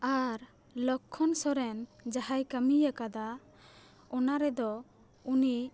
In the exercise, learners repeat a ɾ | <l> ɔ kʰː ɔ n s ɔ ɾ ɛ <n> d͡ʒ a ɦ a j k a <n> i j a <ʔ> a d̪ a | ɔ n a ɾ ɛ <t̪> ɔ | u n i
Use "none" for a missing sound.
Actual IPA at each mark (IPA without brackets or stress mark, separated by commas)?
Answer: l, n, m, k, d̪